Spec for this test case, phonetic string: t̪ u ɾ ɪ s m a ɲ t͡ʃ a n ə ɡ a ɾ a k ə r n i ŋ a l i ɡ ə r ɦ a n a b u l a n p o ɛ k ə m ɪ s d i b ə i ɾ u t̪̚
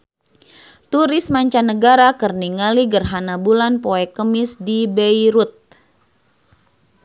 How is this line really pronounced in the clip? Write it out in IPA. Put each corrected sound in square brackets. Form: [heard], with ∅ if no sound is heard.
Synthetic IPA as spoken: t̪ u ɾ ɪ s m a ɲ t͡ʃ a n ə ɡ a ɾ a k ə r n i ŋ a l i ɡ ə r ɦ a n a b u l a n p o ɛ k ə m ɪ s d i b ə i ɾ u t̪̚